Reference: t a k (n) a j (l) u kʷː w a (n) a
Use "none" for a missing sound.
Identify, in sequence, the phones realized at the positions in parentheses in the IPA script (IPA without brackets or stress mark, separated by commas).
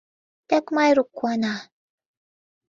m, ɾ, n